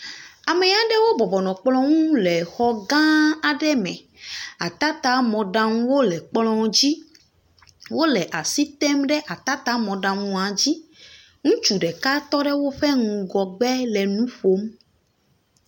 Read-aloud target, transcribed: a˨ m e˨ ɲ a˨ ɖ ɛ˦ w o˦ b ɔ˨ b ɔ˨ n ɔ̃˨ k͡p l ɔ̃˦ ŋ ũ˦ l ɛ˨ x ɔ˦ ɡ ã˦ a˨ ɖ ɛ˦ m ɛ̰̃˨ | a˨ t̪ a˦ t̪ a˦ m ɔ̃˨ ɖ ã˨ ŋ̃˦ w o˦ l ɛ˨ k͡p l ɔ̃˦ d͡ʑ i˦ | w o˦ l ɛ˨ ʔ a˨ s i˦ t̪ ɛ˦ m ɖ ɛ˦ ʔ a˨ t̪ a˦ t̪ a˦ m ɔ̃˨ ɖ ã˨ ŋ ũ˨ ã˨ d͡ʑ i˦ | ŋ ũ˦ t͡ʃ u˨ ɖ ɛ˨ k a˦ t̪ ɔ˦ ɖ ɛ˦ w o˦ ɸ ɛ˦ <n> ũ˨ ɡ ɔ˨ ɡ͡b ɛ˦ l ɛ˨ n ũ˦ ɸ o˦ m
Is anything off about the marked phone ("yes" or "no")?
yes